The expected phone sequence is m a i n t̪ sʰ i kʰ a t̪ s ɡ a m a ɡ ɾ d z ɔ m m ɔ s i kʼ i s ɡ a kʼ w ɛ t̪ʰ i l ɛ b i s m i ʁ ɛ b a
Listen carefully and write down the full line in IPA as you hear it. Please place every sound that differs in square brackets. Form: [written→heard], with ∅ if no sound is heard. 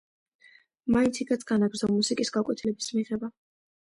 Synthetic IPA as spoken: m a i n t̪ sʰ i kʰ a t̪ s ɡ a [m→n] a ɡ ɾ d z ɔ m m [ɔ→u] s i kʼ i s ɡ a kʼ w ɛ t̪ʰ i l ɛ b i s m i ʁ ɛ b a